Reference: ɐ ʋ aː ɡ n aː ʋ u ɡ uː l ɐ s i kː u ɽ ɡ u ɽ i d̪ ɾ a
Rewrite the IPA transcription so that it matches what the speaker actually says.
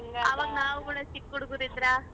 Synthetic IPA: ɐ ʋ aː ɡ n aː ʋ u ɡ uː ɽ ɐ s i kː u ɽ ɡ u ɾ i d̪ ɾ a